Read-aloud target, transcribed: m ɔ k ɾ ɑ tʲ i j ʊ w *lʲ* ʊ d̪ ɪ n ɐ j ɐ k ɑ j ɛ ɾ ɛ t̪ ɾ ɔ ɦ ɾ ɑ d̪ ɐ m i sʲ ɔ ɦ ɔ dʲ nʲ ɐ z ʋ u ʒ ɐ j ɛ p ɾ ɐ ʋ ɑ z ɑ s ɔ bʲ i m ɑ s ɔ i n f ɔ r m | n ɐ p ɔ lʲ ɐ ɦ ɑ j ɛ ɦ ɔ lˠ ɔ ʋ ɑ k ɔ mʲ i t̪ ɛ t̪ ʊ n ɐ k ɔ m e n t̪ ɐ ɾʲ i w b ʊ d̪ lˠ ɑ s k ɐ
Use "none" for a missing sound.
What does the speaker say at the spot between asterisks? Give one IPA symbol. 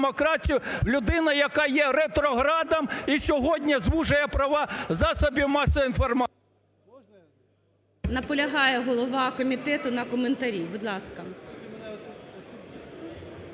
lʲ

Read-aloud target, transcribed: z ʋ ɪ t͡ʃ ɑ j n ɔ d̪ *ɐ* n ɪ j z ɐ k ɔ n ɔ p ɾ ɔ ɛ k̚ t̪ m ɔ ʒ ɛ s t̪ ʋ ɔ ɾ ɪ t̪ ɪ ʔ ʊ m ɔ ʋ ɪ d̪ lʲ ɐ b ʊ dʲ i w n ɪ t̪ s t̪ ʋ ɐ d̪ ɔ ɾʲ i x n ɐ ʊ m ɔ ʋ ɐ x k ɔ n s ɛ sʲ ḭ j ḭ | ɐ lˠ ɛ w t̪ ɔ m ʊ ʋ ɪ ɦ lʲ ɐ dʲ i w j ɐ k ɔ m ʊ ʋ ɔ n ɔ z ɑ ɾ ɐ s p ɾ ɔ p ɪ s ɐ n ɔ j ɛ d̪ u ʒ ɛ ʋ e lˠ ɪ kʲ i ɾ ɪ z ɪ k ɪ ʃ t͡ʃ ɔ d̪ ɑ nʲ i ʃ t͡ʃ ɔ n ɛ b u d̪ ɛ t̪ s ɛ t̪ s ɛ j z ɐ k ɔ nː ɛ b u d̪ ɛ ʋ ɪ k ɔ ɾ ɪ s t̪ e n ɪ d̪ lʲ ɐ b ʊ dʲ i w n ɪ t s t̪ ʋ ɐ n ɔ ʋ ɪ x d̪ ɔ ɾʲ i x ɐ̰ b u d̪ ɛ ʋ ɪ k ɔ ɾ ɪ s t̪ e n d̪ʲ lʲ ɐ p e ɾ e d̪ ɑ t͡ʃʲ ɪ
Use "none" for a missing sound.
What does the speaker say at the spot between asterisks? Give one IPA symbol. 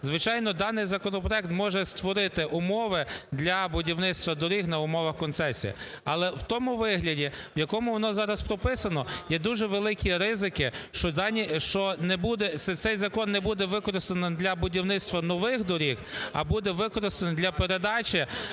ɑ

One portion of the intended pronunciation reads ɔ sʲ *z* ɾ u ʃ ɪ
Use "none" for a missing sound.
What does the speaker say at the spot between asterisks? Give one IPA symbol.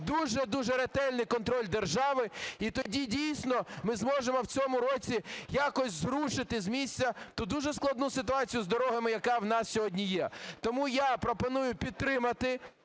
z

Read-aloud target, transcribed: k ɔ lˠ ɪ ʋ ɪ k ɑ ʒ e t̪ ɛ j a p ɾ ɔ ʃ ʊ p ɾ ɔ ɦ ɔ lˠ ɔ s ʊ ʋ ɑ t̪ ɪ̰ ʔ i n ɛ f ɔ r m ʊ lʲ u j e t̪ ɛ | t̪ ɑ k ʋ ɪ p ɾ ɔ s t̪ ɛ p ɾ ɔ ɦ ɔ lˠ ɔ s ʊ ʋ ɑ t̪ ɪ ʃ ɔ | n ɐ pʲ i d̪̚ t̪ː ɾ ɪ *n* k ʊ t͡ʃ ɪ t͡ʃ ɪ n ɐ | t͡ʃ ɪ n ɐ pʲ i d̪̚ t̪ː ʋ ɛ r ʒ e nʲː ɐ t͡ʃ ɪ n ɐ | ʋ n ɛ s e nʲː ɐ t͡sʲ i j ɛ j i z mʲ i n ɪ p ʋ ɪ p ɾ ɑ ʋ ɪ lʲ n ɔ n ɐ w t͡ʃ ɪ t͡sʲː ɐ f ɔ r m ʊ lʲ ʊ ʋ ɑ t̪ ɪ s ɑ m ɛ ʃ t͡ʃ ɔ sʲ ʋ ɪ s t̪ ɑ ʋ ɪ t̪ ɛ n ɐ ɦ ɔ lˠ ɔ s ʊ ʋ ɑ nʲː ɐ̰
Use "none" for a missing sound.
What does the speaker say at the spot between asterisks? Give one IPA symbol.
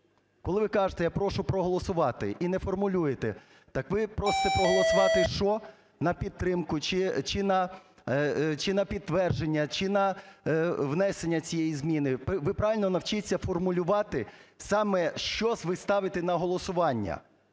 m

